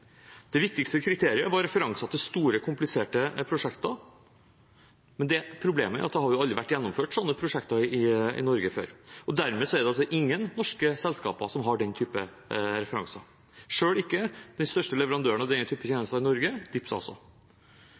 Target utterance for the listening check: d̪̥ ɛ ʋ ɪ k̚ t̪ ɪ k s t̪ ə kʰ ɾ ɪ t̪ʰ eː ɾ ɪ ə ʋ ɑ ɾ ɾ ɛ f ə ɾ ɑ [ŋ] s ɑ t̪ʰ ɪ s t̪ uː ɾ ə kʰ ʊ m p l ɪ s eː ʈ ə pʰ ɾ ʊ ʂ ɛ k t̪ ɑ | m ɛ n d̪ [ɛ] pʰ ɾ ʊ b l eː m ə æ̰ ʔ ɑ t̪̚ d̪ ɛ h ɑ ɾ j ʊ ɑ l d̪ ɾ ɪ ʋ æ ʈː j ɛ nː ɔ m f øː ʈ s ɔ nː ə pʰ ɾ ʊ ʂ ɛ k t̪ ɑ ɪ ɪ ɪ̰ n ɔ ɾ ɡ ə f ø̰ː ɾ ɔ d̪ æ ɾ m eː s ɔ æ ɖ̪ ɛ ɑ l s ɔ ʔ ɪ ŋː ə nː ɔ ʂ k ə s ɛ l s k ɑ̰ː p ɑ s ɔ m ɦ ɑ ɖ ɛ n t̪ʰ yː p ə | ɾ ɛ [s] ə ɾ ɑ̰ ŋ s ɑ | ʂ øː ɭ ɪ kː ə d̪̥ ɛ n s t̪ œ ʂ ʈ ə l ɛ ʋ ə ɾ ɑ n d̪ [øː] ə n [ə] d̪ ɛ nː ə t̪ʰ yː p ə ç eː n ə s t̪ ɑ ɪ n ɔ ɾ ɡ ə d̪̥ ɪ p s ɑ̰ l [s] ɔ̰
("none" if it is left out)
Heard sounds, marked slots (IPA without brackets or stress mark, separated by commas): ŋ, ɛ, f, øː, ɑ, s